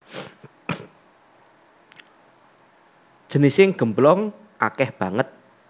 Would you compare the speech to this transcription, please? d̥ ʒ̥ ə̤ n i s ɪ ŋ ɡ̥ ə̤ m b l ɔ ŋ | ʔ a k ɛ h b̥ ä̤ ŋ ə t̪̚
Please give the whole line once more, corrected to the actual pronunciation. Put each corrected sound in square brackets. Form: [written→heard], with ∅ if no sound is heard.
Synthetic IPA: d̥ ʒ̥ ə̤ n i s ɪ ŋ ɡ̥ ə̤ m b l ɔ ŋ | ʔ a k ɛ h b̥ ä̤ ŋ ə t̪̚